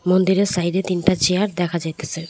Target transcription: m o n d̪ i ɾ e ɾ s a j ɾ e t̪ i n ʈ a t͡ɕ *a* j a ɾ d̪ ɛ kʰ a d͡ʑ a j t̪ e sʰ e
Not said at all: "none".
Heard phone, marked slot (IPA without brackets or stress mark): e